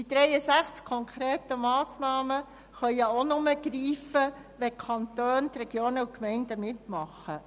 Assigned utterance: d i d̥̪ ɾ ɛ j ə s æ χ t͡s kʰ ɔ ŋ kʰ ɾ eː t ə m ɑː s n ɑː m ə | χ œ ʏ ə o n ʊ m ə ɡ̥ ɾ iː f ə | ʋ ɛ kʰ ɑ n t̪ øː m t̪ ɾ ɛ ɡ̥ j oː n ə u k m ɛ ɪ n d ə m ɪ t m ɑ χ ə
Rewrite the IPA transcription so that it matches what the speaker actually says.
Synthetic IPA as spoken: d i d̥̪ ɾ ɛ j ə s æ χ t͡s kʰ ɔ ŋ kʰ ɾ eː t ə m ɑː s n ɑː m ə | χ œ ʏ ə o n ʊ m ə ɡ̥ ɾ iː f ə | ʋ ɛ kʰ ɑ n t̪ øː n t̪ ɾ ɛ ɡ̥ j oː n ə u k m ɛ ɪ n d ə m ɪ t m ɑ χ ə